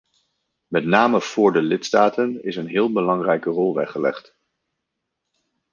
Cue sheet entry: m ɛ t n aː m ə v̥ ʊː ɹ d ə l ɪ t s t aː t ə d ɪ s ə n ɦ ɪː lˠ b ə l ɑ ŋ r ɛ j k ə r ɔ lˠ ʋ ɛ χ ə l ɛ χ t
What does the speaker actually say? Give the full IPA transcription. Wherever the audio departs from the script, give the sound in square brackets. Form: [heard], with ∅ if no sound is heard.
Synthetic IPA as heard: m ɛ t n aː m ə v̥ ʊː ɹ d ə l ɪ t s t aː t ə [n] ɪ s ə n ɦ ɪː lˠ b ə l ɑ ŋ r ɛ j k ə r ɔ lˠ ʋ ɛ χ ə l ɛ χ t